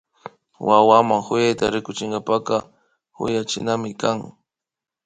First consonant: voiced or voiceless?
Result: voiced